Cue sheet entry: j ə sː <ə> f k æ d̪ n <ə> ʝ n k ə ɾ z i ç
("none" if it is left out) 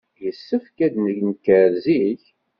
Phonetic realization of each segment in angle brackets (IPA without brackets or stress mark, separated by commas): ə, ə